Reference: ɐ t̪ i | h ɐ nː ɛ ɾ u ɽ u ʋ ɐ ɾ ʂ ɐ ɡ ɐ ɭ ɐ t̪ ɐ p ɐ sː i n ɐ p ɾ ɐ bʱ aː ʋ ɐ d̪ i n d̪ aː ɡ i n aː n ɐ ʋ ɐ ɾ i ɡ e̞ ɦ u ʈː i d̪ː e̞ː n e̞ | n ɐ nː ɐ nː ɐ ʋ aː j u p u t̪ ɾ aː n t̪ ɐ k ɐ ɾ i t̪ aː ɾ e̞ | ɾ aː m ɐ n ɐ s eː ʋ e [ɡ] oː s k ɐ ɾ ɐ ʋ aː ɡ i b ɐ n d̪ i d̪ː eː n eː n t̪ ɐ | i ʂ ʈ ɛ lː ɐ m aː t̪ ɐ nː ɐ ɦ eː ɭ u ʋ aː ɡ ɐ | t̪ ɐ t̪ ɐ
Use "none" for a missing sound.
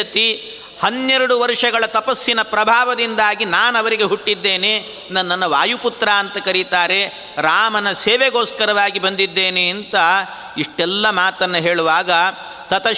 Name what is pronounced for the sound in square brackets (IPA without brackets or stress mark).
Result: ɡ